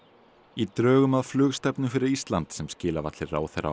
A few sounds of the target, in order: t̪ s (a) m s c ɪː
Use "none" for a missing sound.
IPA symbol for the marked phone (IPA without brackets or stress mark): ɛ